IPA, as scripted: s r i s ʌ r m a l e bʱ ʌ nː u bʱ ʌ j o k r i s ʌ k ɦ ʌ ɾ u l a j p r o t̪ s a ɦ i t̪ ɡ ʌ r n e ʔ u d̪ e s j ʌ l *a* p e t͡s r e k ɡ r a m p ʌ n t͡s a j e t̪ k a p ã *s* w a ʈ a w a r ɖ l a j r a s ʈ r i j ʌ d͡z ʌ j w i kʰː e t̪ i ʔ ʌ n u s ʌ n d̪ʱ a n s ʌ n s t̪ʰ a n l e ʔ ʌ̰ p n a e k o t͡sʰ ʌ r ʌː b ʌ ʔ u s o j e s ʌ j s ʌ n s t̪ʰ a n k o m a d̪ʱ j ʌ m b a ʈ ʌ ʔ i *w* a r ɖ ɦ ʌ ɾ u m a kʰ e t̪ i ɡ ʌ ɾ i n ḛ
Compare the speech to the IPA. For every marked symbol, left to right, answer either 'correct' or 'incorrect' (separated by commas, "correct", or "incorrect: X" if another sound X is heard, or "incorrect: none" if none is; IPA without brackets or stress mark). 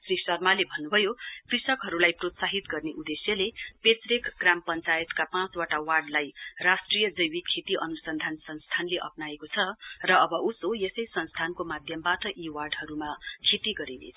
incorrect: e, incorrect: t͡s, correct